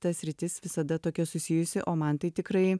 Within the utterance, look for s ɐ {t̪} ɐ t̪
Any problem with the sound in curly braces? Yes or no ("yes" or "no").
yes